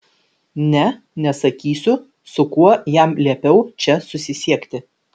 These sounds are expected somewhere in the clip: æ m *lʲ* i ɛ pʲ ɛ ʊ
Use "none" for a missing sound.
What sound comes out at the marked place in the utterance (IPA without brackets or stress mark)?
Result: lʲ